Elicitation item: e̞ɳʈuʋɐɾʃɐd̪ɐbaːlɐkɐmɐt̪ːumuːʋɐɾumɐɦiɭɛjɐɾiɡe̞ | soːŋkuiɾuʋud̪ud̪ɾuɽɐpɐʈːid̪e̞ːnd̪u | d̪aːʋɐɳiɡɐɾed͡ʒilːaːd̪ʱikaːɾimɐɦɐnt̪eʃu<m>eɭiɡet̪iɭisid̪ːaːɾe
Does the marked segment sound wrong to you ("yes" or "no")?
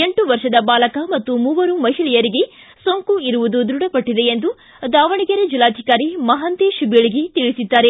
yes